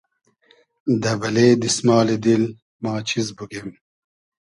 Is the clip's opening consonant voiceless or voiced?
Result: voiced